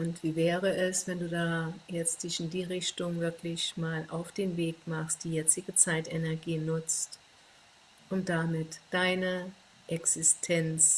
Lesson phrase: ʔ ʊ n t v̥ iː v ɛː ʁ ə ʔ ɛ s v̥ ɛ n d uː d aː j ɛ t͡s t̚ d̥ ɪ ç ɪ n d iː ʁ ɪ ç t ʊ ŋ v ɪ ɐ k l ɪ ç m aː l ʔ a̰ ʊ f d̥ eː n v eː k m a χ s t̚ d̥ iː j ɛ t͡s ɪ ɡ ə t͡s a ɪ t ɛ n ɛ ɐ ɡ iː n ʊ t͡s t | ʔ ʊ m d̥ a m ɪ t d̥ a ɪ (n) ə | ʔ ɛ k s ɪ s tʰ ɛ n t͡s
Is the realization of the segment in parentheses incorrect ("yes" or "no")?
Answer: no